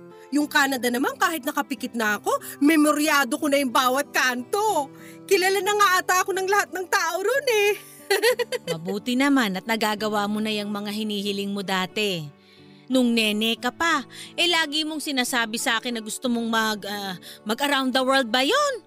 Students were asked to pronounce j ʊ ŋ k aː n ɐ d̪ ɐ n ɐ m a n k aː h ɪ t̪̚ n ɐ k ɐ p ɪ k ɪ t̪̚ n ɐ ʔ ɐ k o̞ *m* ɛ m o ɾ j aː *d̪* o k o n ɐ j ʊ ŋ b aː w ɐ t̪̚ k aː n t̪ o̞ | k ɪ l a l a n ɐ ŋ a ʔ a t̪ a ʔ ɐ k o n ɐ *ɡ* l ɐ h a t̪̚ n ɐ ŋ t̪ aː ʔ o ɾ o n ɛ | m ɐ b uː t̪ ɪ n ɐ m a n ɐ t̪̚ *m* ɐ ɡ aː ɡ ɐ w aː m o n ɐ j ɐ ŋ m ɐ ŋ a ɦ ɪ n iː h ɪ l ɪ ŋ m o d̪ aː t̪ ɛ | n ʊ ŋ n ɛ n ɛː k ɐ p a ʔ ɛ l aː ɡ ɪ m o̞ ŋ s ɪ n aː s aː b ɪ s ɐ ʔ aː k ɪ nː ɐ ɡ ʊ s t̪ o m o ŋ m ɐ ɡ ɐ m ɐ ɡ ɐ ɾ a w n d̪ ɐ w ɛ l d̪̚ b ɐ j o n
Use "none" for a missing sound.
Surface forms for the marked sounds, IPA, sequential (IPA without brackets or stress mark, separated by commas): m, d̪, ŋ, n